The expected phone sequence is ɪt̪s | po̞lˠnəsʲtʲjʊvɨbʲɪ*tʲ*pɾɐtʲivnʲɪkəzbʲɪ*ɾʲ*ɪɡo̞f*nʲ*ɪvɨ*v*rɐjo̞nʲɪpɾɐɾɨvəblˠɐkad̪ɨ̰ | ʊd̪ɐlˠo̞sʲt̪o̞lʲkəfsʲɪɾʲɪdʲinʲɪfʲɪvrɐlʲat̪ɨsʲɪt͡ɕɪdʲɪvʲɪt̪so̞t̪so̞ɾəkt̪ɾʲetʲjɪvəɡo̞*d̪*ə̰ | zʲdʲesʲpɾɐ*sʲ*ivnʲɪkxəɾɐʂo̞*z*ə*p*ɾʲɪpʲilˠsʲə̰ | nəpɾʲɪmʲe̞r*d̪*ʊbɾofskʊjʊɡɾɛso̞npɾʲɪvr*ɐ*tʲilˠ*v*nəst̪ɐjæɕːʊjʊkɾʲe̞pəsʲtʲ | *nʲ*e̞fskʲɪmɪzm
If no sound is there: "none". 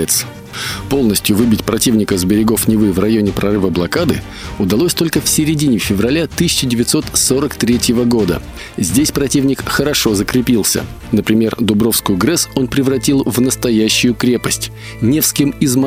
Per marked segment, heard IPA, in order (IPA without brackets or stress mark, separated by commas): tʲ, ɾʲ, nʲ, v, d̪, tʲ, z, k, d̪, ɐ, v, nʲ